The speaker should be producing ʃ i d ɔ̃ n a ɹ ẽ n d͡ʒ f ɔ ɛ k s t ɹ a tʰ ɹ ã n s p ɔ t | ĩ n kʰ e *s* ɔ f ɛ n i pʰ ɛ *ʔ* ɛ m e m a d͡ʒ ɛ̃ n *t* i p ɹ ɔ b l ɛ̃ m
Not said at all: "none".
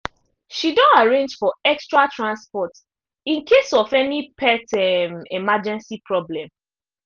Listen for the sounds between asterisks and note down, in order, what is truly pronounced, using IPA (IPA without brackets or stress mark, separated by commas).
s, t, s